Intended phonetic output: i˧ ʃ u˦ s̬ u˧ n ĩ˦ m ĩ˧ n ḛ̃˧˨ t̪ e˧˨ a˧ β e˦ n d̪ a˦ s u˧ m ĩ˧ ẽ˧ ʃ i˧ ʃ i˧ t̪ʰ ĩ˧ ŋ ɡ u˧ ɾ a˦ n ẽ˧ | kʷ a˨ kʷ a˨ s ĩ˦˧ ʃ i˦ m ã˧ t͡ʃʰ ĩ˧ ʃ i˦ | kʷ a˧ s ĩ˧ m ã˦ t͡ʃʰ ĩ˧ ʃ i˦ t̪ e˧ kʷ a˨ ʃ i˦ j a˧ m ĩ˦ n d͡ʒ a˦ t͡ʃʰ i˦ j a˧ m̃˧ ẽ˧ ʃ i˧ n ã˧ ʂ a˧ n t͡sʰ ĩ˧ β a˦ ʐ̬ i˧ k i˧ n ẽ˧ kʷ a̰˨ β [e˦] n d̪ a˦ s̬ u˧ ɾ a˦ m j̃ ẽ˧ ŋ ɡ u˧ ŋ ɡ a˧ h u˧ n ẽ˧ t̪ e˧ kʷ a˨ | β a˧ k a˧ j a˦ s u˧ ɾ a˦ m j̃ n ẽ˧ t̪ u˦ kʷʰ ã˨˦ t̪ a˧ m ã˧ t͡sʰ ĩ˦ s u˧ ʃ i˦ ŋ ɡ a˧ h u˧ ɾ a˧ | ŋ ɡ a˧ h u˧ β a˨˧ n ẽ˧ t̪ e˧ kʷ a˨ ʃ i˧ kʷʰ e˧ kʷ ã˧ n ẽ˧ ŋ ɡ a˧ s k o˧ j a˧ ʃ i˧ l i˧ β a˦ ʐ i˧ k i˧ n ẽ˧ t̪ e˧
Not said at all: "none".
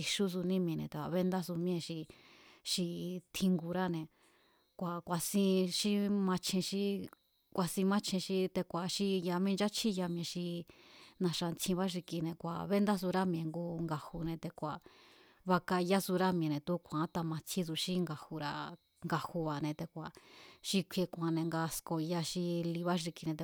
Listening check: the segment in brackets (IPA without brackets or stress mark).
e˦